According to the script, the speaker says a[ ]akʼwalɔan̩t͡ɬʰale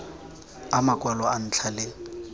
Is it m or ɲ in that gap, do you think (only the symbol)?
m